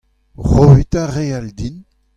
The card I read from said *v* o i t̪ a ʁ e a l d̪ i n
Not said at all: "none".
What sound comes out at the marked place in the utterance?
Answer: ʁ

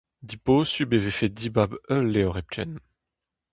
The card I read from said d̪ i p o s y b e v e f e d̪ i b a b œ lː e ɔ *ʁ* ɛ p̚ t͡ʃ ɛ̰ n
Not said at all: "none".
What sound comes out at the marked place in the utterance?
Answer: ʁ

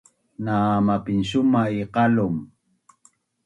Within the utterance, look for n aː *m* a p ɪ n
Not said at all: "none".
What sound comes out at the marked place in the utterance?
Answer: m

